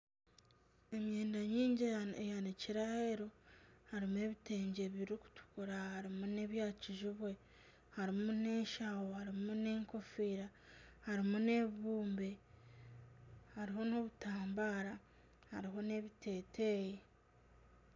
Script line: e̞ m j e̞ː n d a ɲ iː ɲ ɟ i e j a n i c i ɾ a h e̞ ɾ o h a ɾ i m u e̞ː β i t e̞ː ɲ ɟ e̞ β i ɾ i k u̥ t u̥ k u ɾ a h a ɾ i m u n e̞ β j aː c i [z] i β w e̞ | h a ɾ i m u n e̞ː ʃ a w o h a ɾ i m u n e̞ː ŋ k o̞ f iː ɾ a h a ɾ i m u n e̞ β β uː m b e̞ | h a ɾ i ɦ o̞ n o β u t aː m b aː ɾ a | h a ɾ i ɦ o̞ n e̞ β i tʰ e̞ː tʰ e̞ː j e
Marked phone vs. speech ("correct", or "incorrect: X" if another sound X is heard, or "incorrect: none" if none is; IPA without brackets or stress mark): incorrect: ʒ